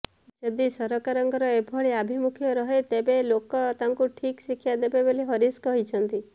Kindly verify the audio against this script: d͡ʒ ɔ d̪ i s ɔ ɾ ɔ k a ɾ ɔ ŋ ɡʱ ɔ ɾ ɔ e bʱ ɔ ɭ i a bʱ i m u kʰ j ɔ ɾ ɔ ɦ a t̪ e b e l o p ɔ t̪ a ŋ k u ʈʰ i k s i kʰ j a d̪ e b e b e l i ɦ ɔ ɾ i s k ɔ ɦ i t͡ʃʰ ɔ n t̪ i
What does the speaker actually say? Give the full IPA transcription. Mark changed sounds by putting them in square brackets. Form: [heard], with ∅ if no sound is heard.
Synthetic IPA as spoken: d͡ʒ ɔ d̪ i s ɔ ɾ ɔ k a ɾ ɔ ŋ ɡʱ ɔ ɾ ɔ e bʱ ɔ ɭ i a bʱ i m u kʰ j ɔ ɾ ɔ ɦ [e] t̪ e b e l o [k] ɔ t̪ a ŋ k u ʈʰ i k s i kʰ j a d̪ e b e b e l i ɦ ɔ ɾ i s k ɔ ɦ i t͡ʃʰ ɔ n t̪ i

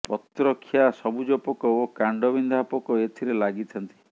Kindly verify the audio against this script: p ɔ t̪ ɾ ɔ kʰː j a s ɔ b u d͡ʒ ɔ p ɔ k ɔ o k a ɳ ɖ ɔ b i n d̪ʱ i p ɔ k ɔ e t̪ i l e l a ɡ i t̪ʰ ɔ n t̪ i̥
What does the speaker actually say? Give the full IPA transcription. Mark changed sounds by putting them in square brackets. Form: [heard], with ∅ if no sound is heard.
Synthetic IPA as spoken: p ɔ t̪ ɾ ɔ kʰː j a s ɔ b u d͡ʒ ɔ p ɔ k ɔ o k a ɳ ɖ ɔ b i n d̪ʱ [a] p ɔ k ɔ e [t̪ʰ] i [ɾ] e l a ɡ i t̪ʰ ɔ n t̪ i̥

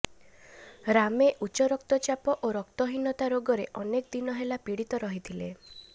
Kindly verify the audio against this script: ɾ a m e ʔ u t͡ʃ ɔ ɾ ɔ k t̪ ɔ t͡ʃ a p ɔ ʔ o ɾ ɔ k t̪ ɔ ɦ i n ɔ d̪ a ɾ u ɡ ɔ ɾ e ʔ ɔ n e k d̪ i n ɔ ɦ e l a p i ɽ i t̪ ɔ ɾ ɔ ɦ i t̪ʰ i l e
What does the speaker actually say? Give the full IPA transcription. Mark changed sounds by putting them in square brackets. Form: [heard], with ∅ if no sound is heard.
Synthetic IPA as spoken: ɾ a m e ʔ u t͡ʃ ɔ ɾ ɔ k t̪ ɔ t͡ʃ a p ɔ ʔ o ɾ ɔ k t̪ ɔ ɦ i n ɔ [t̪] a ɾ [o] ɡ ɔ ɾ e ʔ ɔ n e k d̪ i n ɔ ɦ e l a p i ɽ i t̪ ɔ ɾ ɔ ɦ i t̪ʰ i l e

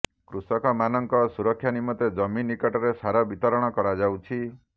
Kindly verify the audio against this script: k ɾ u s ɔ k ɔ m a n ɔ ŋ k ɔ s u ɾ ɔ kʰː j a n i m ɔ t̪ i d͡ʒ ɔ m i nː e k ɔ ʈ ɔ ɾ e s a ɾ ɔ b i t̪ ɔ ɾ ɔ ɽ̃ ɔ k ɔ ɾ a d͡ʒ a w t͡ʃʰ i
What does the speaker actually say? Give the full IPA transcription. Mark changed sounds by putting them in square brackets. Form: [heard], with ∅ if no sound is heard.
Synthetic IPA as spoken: k ɾ u s ɔ k ɔ m a n ɔ ŋ k ɔ s u ɾ ɔ kʰː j a n i m ɔ t̪ [e] d͡ʒ ɔ m i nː [i] k ɔ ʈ ɔ ɾ e s a ɾ ɔ b i t̪ ɔ ɾ ɔ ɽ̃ ɔ k ɔ ɾ a d͡ʒ a w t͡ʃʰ i

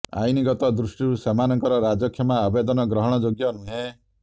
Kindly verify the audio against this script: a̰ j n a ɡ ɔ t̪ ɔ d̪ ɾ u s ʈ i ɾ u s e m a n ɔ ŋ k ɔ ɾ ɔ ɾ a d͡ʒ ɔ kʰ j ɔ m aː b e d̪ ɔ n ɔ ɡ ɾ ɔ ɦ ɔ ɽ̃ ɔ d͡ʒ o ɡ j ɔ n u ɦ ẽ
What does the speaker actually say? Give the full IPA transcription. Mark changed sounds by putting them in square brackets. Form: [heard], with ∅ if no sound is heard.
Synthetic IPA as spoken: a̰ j n [i] ɡ ɔ t̪ ɔ d̪ ɾ u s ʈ i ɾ u s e m a n ɔ ŋ k ɔ ɾ ɔ ɾ a d͡ʒ ɔ kʰ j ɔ m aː b e d̪ ɔ n ɔ ɡ ɾ ɔ ɦ ɔ ɽ̃ ɔ d͡ʒ o ɡ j ɔ n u ɦ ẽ

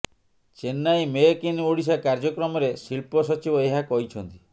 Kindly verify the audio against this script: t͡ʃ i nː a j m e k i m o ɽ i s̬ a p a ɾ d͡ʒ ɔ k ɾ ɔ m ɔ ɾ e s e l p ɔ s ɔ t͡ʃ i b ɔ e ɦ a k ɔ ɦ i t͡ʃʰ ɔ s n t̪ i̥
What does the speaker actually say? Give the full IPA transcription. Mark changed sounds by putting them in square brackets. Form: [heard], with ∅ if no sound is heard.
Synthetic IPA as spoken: t͡ʃ [e] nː a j m e k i [n] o ɽ i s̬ a [k] a ɾ d͡ʒ ɔ k ɾ ɔ m ɔ ɾ e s [i] l p ɔ s ɔ t͡ʃ i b ɔ e ɦ a k ɔ ɦ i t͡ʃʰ ɔ [∅] n t̪ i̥

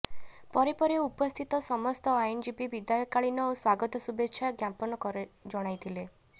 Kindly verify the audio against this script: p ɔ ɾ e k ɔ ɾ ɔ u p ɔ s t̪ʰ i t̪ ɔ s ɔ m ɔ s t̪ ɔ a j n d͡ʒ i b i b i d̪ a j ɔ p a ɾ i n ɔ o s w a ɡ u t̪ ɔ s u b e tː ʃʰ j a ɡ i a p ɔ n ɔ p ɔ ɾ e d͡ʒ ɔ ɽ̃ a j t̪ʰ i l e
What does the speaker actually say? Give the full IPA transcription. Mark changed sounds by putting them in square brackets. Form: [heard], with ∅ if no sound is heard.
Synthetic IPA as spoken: p ɔ ɾ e [p] ɔ ɾ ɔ u p ɔ s t̪ʰ i t̪ ɔ s ɔ m ɔ s t̪ ɔ a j n d͡ʒ i b i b i d̪ a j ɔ [k] a [ɭ] i n ɔ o s w a ɡ [ɔ] t̪ ɔ s u b e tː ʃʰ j a ɡ [j] a p ɔ n ɔ [k] ɔ ɾ e d͡ʒ ɔ ɽ̃ a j t̪ʰ i l e

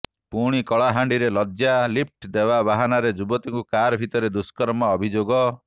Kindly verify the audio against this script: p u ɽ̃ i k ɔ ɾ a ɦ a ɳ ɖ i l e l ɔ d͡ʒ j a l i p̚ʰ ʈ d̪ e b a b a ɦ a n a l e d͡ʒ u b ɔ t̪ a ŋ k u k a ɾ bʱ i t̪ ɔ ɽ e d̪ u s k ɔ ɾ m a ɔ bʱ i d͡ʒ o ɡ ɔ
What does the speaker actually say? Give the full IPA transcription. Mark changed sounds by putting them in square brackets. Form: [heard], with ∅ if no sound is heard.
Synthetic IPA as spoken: p u ɽ̃ i k ɔ [ɭ] a ɦ a ɳ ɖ i [ɾ] e l ɔ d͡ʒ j a l i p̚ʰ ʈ d̪ e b a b a ɦ a n a [ɾ] e d͡ʒ u b ɔ t̪ [i] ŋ k u k a ɾ bʱ i t̪ ɔ [ɾ] e d̪ u s k ɔ ɾ m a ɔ bʱ i d͡ʒ o ɡ ɔ

